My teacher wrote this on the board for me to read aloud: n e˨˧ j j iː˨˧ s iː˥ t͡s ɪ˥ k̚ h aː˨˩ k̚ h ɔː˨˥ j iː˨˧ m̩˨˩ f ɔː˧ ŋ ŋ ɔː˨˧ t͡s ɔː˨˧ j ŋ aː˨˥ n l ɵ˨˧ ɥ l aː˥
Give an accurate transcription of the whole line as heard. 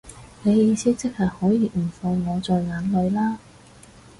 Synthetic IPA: n e˨˧ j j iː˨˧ s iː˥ t͡s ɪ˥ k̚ h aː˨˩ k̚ h ɔː˨˥ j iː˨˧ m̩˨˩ f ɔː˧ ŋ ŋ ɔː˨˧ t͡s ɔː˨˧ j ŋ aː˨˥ n l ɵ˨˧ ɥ l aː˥